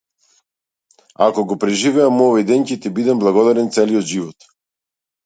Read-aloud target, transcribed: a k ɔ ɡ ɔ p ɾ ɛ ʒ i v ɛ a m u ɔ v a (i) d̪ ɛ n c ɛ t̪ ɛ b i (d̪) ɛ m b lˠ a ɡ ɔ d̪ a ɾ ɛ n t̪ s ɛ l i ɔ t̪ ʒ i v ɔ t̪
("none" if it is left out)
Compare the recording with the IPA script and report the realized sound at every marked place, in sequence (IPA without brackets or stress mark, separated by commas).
j, d̪